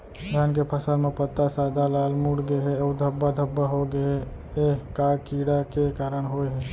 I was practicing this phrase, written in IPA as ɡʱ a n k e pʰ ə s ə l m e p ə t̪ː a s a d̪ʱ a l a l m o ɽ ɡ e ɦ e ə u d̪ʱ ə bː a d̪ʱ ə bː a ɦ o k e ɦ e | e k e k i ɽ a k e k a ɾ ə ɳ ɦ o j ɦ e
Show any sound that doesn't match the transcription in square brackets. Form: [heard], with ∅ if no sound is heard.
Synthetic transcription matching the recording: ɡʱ a n k e pʰ ə s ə l m e p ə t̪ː a s a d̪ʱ a l a l m [u] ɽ ɡ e ɦ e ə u d̪ʱ ə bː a d̪ʱ ə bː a ɦ o [ɡ] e ɦ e | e k [a] k i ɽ a k e k a ɾ ə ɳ ɦ o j ɦ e